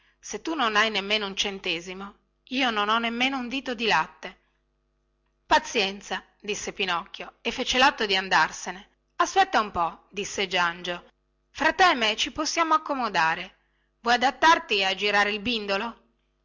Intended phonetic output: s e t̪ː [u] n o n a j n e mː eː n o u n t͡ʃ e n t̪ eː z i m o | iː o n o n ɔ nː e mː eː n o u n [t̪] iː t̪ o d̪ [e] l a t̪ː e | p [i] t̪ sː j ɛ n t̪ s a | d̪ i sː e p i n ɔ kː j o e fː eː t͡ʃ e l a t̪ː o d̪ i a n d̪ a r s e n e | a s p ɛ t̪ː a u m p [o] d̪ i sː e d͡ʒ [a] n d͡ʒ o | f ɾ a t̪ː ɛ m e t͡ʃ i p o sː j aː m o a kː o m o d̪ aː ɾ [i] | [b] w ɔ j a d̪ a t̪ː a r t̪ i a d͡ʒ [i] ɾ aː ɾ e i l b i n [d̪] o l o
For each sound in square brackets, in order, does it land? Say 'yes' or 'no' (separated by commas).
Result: yes, no, no, no, no, yes, no, no, yes, yes